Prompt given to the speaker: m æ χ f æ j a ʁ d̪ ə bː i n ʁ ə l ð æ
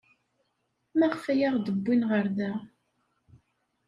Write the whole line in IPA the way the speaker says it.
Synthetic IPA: m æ ʁ f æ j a ʁ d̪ ə bː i n ʁ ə ɾ ð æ